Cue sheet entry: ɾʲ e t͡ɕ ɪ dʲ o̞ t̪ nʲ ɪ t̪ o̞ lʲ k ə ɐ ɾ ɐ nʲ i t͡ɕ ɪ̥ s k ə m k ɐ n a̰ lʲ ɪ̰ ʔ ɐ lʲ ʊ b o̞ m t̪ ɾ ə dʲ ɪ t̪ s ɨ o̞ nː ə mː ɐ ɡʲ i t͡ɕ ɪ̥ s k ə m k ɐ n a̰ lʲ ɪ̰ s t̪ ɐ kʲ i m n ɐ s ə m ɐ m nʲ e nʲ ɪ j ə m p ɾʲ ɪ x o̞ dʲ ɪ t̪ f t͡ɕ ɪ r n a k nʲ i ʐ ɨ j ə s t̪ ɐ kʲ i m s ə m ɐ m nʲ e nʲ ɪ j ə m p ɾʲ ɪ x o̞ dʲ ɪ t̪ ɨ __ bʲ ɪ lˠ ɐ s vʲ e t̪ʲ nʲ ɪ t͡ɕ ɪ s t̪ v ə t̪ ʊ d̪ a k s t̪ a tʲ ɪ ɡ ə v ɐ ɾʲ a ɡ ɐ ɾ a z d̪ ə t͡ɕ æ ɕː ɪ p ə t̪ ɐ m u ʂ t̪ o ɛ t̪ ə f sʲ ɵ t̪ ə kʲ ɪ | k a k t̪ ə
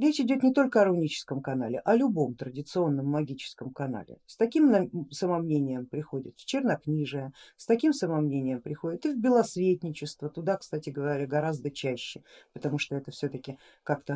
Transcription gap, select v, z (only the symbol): v